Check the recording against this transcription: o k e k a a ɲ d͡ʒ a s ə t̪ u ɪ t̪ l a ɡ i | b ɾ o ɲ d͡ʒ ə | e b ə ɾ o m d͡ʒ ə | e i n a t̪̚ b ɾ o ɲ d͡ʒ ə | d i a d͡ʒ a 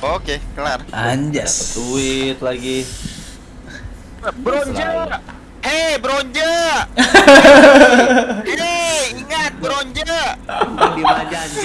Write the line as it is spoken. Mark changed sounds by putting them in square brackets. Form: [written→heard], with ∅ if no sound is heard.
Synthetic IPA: o k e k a a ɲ d͡ʒ a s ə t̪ u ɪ t̪ l a ɡ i | b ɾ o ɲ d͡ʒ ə | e b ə ɾ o [m→ɲ] d͡ʒ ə | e i [n→ŋ] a t̪̚ b ɾ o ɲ d͡ʒ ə | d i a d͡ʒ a